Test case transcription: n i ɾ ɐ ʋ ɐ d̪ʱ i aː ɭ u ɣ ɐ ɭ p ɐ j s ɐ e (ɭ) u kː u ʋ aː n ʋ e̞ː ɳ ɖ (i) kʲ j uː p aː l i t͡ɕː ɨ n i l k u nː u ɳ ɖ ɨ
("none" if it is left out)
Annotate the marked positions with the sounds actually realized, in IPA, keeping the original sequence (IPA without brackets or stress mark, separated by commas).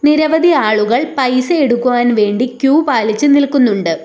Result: ɽ, i